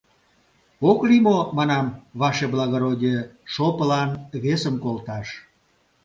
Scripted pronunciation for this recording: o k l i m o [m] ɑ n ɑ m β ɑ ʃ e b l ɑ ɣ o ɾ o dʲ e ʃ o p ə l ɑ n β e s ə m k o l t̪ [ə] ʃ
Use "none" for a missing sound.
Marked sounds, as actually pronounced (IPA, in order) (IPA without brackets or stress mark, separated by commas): m, ɑ